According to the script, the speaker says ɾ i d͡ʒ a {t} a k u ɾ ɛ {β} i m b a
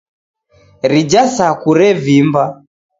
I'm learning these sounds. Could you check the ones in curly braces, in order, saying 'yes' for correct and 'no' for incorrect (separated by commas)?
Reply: no, no